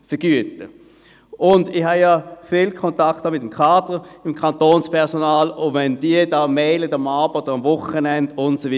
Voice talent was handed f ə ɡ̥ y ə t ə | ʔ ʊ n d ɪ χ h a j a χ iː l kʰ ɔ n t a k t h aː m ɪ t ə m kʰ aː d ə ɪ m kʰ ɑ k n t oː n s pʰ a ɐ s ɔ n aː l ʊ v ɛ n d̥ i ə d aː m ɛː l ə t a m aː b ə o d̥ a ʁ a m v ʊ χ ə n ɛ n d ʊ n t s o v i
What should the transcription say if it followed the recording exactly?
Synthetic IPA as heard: f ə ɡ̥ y ə t ə | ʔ ʊ n d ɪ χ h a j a f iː l kʰ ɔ n t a k t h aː m ɪ t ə m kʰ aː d ə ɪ m kʰ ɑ n t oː n s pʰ ɛ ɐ s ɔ n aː l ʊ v ɛ n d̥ i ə d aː m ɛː l ə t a m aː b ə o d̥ ə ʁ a m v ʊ χ ə n ɛ n d ʊ n t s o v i